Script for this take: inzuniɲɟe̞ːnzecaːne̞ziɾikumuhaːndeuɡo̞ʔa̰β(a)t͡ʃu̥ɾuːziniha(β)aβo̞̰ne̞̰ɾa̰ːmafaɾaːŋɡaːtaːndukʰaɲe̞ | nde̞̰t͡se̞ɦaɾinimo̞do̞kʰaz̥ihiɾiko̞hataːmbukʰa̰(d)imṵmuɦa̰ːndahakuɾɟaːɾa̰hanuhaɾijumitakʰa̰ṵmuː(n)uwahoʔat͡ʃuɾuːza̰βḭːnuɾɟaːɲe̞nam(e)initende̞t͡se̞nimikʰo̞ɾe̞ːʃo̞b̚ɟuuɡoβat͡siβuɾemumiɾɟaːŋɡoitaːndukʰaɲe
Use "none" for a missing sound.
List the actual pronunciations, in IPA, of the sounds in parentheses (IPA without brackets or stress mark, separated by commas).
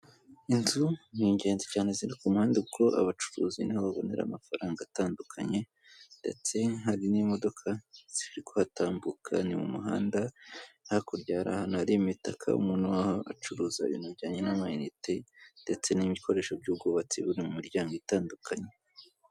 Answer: a, β, n, n, a